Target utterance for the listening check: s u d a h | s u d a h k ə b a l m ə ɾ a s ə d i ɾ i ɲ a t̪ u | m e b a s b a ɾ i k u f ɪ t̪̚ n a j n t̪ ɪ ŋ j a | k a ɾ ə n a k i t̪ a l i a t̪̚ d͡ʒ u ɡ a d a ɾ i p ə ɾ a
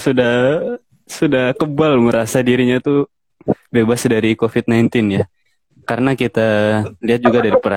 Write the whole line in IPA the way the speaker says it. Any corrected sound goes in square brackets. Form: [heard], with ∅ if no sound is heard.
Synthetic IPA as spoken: s u d a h | s u d a h k ə b a l m ə ɾ a s [a] d i ɾ i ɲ a t̪ u | [b] e b a s [d] a ɾ i k [o] f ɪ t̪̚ n a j n t̪ ɪ [n] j a | k a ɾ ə n a k i t̪ a l i a t̪̚ d͡ʒ u ɡ a d a ɾ i p ə ɾ a